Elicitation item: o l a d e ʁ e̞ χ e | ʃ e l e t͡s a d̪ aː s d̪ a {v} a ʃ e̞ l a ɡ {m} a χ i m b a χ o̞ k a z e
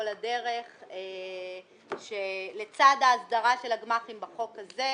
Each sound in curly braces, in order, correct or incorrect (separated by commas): incorrect, correct